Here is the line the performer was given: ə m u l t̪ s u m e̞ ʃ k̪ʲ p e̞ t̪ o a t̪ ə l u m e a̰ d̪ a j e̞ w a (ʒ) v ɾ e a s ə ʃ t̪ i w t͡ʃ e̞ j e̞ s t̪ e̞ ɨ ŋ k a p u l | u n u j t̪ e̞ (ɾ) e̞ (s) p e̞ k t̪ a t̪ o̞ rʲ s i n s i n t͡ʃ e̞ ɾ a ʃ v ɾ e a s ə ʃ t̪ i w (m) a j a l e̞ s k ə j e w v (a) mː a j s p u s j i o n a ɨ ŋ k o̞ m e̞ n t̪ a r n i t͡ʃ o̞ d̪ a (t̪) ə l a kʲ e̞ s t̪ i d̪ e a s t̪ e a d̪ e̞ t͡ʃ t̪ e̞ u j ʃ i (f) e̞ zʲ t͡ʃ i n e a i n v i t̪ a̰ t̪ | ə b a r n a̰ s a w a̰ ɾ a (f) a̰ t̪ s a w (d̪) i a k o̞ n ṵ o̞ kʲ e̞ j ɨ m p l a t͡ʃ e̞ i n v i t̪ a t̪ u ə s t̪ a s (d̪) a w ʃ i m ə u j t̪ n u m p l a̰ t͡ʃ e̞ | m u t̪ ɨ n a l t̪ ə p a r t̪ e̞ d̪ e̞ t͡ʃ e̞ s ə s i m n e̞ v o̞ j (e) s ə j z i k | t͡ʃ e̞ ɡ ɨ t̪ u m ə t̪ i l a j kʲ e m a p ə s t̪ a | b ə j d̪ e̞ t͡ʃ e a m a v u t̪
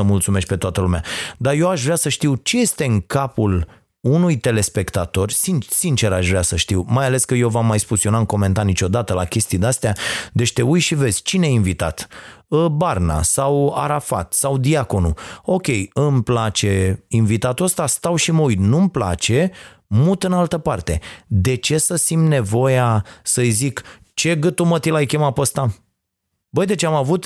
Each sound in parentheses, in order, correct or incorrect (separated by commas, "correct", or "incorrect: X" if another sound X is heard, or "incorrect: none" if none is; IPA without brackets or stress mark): incorrect: ʃ, incorrect: l, correct, correct, correct, correct, incorrect: v, correct, correct, incorrect: t̪, incorrect: a